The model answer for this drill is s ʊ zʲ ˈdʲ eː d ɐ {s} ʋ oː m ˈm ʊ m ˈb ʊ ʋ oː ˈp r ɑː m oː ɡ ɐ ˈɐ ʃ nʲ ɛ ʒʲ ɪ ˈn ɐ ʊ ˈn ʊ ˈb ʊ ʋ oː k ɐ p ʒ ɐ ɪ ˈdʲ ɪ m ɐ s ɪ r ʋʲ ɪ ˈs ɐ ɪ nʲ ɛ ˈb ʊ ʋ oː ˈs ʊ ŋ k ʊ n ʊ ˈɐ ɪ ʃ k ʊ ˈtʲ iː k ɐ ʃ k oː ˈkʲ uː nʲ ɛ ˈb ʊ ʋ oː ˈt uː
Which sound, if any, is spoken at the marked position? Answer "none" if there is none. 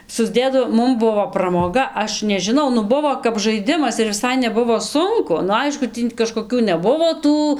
none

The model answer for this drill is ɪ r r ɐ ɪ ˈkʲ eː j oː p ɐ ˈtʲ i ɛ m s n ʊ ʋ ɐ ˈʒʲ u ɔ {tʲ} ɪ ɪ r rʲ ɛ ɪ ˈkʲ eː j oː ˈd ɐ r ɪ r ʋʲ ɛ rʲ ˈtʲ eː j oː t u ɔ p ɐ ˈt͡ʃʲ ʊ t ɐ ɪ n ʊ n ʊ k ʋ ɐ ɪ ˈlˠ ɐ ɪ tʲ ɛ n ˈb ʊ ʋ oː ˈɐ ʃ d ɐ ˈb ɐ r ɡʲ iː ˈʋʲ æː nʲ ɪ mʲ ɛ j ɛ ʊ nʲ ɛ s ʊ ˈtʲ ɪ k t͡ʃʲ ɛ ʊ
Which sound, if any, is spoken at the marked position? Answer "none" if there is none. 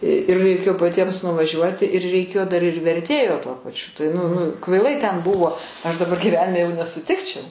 tʲ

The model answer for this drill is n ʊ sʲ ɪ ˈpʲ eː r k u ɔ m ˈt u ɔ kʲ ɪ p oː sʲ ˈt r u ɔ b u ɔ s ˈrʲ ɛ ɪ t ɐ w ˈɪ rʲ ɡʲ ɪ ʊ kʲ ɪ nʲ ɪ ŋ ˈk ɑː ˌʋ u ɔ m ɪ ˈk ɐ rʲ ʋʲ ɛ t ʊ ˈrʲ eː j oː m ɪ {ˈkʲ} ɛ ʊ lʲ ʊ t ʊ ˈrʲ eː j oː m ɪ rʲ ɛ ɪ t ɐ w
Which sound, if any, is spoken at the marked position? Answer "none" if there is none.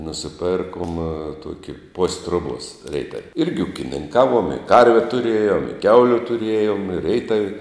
kʲ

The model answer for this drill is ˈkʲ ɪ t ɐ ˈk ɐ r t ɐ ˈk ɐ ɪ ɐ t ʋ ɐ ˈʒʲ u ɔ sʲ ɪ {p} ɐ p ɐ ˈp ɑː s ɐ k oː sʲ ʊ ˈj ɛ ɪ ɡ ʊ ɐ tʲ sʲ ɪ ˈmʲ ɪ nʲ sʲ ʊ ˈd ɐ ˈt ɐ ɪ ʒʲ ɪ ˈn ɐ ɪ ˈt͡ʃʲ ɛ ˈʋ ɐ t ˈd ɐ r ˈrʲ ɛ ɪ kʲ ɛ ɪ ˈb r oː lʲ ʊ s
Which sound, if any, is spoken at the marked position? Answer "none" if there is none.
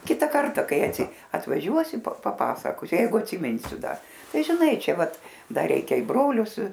p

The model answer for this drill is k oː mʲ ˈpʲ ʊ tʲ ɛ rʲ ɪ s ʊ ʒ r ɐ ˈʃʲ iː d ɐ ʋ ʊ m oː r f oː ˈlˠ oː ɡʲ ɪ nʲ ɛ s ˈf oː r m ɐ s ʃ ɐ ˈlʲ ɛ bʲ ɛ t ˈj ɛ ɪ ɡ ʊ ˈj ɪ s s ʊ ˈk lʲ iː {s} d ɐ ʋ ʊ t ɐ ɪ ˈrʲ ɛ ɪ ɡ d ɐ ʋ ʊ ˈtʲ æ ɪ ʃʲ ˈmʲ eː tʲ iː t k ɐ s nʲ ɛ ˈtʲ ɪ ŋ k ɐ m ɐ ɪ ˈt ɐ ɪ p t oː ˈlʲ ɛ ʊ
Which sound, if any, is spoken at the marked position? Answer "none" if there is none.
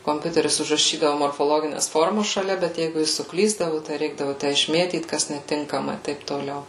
z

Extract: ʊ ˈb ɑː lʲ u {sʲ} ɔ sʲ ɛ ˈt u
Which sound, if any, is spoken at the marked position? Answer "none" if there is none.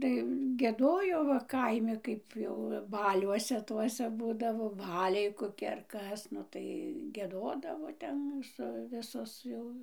none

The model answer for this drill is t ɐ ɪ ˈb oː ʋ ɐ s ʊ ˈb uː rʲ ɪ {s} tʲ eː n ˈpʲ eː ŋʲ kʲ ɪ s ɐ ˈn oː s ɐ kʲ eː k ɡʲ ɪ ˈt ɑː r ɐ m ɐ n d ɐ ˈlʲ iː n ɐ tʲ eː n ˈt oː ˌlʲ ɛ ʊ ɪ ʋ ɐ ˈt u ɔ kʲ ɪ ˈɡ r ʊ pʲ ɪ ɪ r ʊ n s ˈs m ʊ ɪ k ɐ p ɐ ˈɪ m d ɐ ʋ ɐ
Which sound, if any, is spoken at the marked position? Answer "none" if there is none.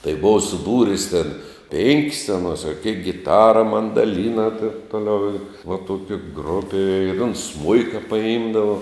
s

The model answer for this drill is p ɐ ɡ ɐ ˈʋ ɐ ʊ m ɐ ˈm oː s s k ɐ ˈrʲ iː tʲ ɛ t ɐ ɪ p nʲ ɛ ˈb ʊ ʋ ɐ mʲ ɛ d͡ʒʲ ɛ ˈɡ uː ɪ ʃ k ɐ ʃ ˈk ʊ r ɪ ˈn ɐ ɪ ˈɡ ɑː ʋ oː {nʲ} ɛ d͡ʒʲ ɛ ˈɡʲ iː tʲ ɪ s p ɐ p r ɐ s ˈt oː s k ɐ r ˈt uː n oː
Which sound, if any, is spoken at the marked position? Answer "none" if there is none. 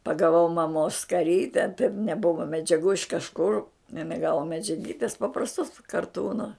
mʲ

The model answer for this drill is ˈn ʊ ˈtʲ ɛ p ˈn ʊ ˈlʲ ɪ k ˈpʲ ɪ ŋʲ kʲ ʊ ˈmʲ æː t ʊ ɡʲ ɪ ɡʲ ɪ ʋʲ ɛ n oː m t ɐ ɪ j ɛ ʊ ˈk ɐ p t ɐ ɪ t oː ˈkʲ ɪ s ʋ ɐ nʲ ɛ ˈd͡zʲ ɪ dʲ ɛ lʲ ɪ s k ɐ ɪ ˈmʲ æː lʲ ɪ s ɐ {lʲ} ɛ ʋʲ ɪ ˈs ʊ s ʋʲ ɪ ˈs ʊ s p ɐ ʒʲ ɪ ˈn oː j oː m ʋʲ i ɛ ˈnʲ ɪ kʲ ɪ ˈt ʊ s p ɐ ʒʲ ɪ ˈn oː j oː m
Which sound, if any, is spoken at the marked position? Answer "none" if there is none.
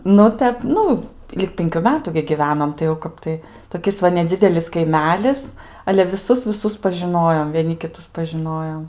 lʲ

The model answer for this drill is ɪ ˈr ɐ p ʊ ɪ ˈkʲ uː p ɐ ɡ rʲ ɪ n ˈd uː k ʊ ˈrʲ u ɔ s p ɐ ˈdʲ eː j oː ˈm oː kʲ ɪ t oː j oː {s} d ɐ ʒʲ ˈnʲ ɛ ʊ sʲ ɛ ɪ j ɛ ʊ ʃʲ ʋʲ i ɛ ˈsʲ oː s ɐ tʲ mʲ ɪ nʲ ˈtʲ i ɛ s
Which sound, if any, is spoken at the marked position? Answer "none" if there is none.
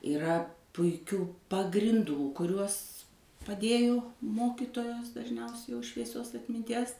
s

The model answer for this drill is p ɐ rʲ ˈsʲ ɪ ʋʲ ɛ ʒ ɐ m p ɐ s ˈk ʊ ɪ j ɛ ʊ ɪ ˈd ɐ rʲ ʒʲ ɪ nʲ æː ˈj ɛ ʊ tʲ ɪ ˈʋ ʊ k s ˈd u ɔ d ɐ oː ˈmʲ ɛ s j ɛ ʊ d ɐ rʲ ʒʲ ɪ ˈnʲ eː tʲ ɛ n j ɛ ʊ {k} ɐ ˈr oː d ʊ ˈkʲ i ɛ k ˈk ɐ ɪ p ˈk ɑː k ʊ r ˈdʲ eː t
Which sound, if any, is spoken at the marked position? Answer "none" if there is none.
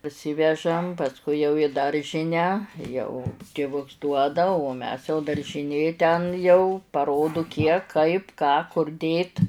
p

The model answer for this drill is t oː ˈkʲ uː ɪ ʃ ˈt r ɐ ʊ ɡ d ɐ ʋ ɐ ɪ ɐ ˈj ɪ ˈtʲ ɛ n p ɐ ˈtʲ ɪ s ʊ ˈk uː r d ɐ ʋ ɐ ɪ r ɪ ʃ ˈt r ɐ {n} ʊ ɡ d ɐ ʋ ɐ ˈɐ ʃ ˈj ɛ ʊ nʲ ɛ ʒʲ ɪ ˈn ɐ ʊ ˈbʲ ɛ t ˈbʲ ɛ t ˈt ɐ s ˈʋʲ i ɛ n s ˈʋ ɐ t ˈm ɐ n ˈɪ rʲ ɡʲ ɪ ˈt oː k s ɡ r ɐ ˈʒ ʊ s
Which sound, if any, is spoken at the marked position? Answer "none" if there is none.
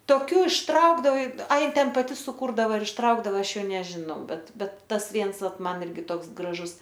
none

